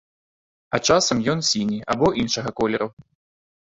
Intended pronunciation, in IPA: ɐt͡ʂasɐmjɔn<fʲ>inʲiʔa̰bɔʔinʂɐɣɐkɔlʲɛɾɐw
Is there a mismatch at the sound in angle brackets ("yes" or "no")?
yes